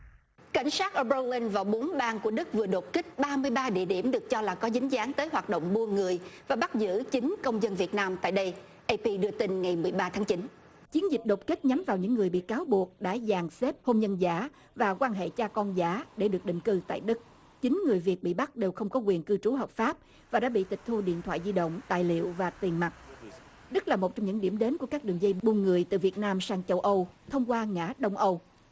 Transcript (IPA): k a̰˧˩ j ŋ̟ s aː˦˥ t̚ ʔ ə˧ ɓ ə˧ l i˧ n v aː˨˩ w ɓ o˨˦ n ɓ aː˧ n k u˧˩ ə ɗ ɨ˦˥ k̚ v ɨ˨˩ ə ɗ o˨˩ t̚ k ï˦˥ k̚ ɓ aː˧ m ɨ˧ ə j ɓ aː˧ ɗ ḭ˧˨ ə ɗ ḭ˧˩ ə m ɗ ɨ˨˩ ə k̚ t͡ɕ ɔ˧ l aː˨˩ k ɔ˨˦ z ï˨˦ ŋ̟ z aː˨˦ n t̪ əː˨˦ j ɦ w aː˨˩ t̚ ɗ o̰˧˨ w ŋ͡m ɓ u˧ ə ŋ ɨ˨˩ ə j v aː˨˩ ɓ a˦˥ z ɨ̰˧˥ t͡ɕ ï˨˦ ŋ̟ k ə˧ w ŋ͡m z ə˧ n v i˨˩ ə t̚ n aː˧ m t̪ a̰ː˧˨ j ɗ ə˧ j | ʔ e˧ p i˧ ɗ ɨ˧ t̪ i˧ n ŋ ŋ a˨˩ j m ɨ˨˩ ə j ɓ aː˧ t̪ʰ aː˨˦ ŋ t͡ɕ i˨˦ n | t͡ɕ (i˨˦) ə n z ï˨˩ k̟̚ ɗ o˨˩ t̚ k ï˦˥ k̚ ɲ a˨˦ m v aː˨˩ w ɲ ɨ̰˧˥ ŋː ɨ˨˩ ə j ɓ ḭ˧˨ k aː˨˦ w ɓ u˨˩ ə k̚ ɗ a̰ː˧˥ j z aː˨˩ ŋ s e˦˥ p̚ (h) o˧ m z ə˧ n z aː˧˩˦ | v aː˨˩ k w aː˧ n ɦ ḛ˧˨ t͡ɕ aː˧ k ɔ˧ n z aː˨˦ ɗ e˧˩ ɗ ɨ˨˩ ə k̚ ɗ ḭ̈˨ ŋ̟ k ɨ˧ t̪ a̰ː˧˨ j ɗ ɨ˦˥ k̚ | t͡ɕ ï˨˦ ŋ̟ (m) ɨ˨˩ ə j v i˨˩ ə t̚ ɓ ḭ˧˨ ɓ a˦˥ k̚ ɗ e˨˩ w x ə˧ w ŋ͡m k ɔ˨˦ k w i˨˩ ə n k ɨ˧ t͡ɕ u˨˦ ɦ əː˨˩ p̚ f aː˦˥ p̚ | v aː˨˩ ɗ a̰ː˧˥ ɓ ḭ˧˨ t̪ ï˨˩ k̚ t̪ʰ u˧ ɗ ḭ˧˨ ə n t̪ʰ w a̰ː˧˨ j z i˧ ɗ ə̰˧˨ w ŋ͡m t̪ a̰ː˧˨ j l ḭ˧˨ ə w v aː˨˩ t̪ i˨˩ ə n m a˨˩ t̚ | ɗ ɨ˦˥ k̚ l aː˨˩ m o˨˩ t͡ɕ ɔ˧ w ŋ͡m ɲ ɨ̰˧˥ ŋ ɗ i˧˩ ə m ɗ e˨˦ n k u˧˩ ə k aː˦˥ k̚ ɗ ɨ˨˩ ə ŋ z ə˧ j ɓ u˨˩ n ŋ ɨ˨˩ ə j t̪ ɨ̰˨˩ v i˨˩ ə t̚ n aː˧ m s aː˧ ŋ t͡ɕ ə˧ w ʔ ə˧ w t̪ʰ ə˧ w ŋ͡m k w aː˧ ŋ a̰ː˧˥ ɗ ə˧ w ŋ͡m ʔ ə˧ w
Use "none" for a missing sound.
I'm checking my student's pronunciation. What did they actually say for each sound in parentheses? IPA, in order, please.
i˨˦, h, ŋ

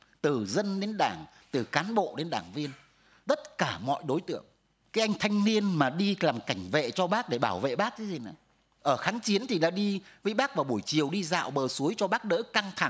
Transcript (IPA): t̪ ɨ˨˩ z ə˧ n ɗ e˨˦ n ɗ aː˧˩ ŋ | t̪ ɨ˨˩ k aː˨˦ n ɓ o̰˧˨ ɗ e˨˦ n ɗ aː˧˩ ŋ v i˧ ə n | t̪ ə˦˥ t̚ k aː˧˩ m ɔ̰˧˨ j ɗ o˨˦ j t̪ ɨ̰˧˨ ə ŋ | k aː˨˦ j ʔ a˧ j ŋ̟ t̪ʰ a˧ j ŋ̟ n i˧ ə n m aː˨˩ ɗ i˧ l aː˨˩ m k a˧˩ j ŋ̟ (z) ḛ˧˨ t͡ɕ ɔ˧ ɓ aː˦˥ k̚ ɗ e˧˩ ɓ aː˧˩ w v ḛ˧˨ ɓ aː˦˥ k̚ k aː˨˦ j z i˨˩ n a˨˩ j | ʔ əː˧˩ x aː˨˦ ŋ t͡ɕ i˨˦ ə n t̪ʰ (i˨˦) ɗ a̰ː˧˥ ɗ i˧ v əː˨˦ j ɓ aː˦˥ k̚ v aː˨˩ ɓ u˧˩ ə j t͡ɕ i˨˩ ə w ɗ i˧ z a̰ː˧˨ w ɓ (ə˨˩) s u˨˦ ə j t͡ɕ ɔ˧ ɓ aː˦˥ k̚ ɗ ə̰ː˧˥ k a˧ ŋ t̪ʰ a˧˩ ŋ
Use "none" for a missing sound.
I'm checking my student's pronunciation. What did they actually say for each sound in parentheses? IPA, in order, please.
v, i˨˩, əː˨˩

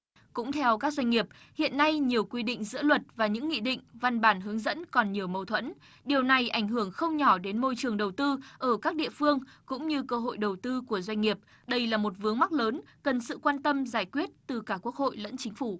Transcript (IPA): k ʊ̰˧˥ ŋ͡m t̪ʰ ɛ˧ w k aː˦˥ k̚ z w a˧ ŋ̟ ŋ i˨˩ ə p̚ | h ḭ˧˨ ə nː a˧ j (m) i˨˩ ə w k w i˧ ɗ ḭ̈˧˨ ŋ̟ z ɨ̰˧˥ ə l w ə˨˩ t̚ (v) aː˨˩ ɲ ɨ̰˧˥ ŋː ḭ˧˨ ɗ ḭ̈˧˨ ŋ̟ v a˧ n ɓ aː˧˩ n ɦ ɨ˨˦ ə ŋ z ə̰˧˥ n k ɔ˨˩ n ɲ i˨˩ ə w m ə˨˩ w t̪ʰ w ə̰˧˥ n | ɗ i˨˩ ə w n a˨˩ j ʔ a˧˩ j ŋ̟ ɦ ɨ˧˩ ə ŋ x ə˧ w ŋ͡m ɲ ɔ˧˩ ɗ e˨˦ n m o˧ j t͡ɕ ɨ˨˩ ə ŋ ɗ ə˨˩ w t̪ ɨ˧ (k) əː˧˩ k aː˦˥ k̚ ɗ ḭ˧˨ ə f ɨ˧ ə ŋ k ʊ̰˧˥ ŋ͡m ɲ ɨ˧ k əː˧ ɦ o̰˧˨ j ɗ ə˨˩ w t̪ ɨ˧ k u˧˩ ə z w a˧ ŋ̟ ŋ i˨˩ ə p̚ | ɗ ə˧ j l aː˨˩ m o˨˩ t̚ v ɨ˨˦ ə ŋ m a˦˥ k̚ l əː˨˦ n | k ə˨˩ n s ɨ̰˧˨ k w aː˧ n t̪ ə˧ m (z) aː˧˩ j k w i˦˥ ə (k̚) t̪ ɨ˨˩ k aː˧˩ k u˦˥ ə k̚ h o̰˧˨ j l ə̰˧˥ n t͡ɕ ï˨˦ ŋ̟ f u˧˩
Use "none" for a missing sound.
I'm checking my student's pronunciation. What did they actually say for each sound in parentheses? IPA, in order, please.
ɲ, v, ʔ, z, t̚

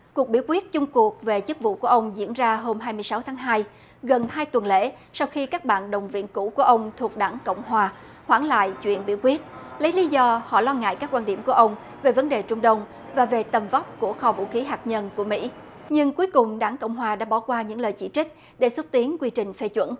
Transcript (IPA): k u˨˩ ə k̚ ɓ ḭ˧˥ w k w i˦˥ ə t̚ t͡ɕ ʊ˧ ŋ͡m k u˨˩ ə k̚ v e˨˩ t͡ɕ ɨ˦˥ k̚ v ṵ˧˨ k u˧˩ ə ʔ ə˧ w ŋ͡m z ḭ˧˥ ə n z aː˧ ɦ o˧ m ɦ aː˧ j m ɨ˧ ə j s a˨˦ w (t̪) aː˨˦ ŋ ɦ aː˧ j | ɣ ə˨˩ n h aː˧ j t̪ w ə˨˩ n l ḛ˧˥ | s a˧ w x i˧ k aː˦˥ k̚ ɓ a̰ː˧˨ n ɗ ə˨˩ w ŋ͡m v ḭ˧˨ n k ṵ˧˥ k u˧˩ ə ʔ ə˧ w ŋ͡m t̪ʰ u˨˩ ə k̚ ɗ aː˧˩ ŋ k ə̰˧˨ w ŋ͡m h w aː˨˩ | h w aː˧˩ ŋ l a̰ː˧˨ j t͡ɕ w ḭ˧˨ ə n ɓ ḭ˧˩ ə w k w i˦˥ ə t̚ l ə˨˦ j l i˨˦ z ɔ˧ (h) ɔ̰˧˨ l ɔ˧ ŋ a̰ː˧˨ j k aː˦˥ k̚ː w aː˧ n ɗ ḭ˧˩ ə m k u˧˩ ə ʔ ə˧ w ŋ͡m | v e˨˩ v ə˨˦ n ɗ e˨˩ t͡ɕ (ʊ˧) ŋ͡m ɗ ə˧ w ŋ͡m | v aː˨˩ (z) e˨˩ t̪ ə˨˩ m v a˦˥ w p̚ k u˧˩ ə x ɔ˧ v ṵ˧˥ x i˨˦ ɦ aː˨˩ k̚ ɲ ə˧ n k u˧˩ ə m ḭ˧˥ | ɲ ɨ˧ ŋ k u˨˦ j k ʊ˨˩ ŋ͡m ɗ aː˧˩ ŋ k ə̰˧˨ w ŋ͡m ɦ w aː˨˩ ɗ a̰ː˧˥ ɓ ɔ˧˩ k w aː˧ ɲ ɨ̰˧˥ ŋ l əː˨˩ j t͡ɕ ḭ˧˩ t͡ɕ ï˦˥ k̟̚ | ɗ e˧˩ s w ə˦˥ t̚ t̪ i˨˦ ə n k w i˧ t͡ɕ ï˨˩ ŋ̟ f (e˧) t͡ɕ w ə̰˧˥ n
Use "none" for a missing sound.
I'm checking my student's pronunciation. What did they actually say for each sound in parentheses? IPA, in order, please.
t̪ʰ, h, ʊ˧, v, e˧

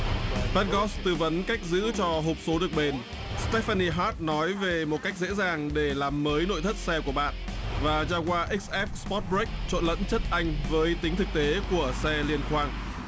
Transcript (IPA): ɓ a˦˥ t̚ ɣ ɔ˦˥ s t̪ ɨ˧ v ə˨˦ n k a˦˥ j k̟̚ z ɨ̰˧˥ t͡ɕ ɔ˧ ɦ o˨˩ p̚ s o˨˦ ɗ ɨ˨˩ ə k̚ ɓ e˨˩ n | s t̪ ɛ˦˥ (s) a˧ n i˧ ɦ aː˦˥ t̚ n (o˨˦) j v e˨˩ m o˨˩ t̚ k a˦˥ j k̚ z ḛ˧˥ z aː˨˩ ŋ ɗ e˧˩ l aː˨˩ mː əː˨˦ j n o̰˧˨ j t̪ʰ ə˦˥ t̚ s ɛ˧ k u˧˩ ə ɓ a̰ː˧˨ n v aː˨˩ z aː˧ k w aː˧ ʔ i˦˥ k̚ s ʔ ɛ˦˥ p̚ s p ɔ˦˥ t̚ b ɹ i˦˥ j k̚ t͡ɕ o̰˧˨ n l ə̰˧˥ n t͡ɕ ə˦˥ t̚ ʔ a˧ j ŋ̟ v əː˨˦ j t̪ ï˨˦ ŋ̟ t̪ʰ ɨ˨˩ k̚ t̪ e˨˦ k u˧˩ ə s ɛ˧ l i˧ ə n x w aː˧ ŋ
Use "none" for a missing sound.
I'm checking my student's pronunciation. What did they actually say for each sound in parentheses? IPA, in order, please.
f, ɔ˨˦

